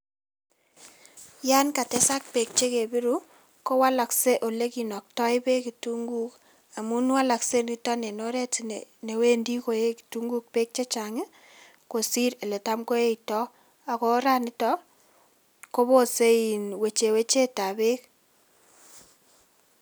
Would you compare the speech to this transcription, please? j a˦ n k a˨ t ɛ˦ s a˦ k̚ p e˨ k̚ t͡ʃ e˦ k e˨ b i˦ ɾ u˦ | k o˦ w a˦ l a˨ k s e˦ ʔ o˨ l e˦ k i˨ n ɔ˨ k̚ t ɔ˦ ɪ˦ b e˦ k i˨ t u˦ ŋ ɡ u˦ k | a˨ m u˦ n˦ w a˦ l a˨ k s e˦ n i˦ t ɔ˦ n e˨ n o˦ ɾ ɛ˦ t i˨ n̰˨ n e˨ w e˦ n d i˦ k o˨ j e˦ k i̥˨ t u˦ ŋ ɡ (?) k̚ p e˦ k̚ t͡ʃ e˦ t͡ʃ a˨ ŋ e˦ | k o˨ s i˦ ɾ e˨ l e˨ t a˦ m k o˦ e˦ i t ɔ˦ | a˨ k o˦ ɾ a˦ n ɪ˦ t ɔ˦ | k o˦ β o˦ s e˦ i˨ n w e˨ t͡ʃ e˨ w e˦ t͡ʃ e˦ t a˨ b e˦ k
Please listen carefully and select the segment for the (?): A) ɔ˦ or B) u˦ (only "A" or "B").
B